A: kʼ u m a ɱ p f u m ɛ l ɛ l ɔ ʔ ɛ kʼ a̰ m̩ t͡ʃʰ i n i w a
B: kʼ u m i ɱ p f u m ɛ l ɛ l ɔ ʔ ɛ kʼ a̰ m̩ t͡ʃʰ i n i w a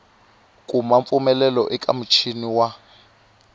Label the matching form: A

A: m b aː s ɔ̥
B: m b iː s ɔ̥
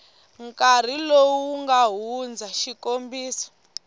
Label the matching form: B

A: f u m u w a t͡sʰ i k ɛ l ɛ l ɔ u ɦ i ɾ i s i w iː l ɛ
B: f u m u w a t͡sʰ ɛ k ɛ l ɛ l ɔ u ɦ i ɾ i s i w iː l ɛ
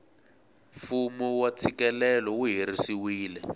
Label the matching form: A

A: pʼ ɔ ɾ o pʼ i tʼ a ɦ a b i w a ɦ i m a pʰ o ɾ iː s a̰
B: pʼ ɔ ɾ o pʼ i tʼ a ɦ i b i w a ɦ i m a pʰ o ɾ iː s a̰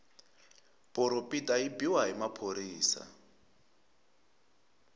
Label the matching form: B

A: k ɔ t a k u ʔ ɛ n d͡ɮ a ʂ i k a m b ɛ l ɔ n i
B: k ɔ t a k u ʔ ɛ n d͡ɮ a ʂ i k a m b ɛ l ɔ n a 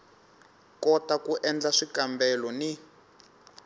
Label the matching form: A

